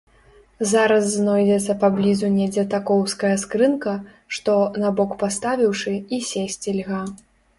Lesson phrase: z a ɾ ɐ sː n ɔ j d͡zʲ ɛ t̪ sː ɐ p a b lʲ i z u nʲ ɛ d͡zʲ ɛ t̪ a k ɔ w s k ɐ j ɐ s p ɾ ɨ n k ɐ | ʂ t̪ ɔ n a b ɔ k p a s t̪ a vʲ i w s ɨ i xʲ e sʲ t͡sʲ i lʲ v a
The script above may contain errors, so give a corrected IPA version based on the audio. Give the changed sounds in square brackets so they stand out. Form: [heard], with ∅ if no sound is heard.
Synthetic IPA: z a ɾ ɐ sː n ɔ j d͡zʲ ɛ t̪ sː ɐ p a b lʲ i z u nʲ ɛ d͡zʲ ɛ t̪ a k ɔ w s k ɐ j ɐ s [k] ɾ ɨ n k ɐ | ʂ t̪ ɔ n a b ɔ k p a s t̪ a vʲ i w [ʂ] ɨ i [sʲ] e sʲ t͡sʲ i lʲ [ɣ] a